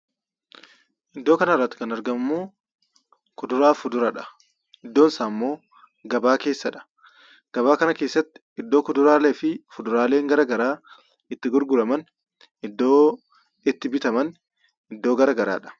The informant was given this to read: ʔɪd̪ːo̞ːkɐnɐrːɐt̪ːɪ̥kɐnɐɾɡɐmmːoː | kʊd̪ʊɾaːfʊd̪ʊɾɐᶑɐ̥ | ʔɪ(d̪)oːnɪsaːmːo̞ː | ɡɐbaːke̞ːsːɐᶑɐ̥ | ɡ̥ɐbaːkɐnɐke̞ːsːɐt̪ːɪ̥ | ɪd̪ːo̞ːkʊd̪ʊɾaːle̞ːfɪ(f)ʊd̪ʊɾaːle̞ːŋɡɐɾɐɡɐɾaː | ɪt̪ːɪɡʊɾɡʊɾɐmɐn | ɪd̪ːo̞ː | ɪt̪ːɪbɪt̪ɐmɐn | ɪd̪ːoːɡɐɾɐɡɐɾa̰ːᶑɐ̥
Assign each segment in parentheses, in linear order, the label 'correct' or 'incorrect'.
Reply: incorrect, correct

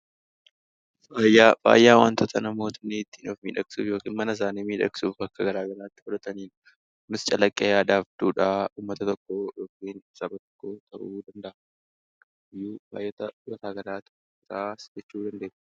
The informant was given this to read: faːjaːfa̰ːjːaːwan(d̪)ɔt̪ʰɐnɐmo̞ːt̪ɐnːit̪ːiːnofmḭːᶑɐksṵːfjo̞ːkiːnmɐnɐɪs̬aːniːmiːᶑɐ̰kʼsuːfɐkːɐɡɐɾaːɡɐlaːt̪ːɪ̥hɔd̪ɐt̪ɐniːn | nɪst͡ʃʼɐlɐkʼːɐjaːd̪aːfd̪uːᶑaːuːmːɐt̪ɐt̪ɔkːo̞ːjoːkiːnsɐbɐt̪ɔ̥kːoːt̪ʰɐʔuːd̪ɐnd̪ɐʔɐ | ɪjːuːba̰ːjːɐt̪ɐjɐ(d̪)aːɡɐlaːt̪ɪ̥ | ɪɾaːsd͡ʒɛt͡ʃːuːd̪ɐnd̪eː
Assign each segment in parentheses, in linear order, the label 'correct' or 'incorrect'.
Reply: incorrect, incorrect

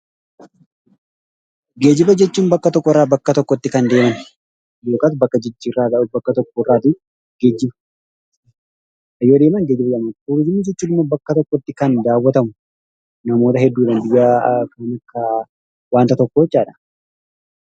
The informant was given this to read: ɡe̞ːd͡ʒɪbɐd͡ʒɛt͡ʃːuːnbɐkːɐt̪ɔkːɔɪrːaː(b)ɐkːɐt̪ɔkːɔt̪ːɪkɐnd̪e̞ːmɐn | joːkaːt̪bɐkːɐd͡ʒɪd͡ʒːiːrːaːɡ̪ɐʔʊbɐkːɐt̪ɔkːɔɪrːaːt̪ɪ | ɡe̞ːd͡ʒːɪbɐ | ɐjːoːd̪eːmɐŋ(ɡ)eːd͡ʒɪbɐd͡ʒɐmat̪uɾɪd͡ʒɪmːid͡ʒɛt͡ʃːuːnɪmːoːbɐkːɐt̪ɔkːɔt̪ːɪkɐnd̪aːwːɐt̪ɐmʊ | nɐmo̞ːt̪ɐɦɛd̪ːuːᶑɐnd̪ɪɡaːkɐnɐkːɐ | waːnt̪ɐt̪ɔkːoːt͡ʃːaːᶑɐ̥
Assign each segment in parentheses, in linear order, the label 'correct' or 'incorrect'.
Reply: correct, correct

